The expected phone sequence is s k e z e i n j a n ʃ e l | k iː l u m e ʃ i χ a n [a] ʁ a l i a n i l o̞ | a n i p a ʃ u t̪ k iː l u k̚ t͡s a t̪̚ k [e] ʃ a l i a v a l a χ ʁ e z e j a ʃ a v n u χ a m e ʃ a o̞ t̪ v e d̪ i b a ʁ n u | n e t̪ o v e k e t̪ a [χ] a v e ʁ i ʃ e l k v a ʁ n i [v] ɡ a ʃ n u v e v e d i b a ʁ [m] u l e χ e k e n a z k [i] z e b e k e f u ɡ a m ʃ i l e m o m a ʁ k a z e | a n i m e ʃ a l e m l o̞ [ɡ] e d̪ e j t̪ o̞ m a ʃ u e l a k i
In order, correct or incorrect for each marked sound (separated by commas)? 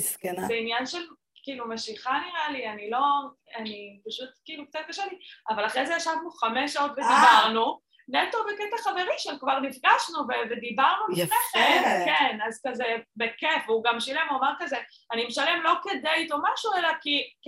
incorrect, incorrect, correct, incorrect, incorrect, incorrect, incorrect